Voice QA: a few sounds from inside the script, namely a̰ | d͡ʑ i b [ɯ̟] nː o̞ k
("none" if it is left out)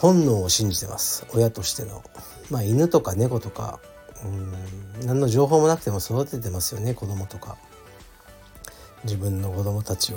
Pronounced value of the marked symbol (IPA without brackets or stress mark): ɯ̟̃